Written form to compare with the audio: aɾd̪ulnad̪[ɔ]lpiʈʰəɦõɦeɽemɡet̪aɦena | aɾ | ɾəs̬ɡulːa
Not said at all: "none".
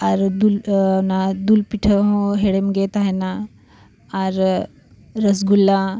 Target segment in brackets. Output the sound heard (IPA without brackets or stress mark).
u